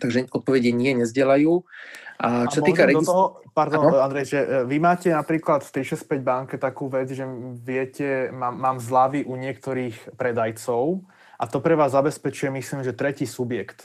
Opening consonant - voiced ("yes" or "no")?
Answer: no